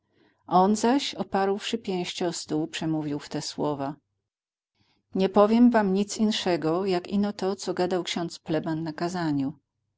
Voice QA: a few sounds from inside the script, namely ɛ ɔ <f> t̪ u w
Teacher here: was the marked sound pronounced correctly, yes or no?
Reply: no